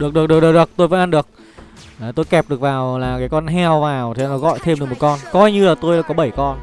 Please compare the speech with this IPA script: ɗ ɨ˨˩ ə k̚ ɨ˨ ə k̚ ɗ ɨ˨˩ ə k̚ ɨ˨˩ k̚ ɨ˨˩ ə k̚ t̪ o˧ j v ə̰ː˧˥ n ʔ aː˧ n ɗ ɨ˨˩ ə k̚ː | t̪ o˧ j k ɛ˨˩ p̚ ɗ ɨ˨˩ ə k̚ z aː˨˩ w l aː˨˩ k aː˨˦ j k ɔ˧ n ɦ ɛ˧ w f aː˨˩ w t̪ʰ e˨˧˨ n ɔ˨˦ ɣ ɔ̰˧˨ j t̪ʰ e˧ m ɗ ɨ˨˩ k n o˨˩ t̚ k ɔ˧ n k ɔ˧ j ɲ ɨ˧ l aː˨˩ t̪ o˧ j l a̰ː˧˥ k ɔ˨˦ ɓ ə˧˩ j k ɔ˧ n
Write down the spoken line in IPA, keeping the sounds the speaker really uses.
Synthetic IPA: ɗ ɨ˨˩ ə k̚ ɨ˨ ə k̚ ɗ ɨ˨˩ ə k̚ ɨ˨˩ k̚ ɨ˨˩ ə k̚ t̪ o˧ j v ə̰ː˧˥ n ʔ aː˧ n ɗ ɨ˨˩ ə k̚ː | t̪ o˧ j k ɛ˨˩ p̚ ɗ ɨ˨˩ ə k̚ v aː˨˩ w l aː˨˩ k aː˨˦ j k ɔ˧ n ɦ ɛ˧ w v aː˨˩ w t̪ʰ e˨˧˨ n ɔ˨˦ ɣ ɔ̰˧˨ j t̪ʰ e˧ m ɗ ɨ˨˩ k m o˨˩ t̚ k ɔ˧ n k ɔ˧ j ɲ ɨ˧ l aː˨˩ t̪ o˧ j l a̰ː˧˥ k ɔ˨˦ ɓ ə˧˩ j k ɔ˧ n

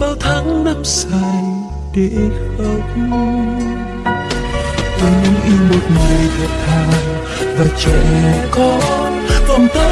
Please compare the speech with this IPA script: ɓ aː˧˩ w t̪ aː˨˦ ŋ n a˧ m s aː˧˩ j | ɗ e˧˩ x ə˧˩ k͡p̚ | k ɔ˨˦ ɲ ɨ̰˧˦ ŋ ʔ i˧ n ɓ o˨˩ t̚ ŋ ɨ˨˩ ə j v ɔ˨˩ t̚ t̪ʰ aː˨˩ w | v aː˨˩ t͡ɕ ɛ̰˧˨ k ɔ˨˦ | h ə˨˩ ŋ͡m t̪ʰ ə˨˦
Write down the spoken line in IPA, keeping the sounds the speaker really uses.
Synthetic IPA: ɓ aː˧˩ w t̪ʰ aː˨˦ ŋ n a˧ m s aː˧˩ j | ɗ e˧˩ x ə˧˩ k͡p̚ | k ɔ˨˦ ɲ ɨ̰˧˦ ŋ ʔ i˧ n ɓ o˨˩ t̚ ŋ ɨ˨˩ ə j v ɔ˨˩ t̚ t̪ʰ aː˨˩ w | v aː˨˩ t͡ɕ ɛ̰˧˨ k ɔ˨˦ | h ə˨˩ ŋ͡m t̪ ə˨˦

